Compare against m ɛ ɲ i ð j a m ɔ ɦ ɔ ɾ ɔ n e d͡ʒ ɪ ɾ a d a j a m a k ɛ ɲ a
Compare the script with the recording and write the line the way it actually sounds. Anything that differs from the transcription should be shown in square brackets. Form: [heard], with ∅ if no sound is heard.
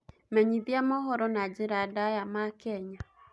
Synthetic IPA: m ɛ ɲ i ð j a m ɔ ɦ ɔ ɾ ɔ n [a] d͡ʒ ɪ ɾ a d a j a m a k ɛ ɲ a